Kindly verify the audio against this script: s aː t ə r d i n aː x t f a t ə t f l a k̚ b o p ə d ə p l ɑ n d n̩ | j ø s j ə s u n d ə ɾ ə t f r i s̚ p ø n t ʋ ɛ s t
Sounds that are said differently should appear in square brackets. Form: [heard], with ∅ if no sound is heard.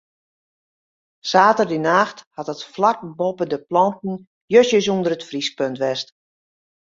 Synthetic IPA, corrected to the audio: s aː t ə r d i n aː x t [h] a t ə t f l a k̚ b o p ə d ə p l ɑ n [t] n̩ | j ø s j ə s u n d ə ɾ ə t f r i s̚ p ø n t ʋ ɛ s t